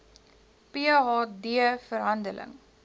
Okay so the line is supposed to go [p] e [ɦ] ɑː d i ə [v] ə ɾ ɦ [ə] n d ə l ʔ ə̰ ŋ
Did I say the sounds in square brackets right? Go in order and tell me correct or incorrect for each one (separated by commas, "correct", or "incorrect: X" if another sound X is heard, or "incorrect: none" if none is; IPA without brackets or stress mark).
correct, correct, incorrect: f, incorrect: ɐ